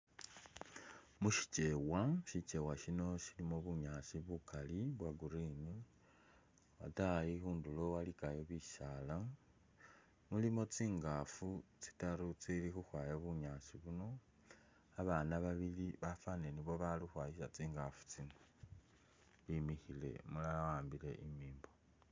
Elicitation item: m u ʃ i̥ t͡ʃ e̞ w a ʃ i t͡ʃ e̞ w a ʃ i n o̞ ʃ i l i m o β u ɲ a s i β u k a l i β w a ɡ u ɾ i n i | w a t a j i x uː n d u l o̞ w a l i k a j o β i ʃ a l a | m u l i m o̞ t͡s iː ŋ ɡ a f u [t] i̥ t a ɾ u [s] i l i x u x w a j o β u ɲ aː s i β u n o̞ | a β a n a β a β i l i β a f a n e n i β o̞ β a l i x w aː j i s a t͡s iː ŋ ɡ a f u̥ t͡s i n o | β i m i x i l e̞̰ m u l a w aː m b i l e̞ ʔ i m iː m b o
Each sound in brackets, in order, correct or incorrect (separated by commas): incorrect, incorrect